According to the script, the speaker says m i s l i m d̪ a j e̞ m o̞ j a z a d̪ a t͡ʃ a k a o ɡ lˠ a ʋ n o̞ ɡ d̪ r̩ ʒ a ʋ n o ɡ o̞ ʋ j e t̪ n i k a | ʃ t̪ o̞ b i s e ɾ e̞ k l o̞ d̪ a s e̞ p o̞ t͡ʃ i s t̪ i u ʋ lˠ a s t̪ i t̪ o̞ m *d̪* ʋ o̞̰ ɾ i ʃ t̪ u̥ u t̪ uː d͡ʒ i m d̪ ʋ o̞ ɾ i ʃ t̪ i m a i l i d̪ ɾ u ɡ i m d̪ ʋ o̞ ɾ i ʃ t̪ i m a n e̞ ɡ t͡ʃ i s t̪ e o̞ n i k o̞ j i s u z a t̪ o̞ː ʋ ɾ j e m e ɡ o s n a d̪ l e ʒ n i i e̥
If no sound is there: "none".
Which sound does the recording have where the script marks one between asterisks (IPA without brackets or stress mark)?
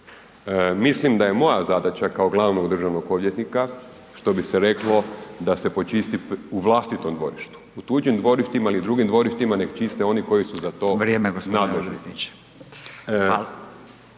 d̪